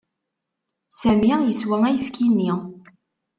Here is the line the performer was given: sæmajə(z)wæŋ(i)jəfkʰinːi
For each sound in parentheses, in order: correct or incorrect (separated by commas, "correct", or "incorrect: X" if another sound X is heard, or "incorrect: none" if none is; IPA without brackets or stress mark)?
incorrect: s, incorrect: æ